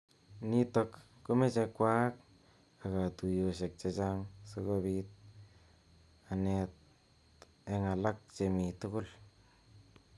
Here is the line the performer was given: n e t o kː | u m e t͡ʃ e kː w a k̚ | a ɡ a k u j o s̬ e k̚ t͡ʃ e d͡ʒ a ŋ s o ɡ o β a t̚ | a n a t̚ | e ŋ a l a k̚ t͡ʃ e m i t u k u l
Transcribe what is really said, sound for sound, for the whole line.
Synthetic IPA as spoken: n i t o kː | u m e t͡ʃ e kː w a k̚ | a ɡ a t u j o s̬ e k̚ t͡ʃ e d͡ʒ a ŋ s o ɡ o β i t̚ | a n e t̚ | e ŋ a l a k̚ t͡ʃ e m i t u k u l